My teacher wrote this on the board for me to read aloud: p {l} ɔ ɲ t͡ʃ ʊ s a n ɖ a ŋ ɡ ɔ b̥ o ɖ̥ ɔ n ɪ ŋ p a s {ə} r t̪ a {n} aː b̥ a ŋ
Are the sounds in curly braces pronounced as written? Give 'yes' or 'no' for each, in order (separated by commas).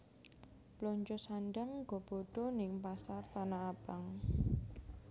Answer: yes, no, yes